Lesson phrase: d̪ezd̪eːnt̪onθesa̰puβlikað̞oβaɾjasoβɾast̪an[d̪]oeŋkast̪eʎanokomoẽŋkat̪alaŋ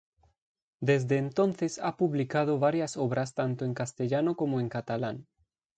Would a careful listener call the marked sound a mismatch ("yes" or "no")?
yes